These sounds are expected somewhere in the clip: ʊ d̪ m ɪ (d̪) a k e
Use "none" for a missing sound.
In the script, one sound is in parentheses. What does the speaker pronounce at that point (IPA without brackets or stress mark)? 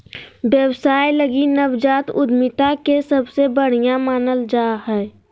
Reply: t̪